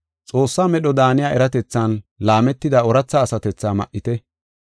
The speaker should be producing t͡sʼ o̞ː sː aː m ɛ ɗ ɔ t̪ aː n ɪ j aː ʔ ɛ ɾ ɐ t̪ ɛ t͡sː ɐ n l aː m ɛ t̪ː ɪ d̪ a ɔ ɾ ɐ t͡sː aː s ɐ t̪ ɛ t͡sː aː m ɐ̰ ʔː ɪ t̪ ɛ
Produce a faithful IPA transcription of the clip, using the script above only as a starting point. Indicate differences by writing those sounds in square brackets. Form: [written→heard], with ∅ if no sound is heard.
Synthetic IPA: t͡sʼ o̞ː sː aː m ɛ ɗ ɔ [t̪→d̪] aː n ɪ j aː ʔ ɛ ɾ ɐ t̪ ɛ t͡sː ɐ n l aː m ɛ t̪ː ɪ d̪ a ɔ ɾ ɐ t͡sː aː s ɐ t̪ ɛ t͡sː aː m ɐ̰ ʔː ɪ t̪ ɛ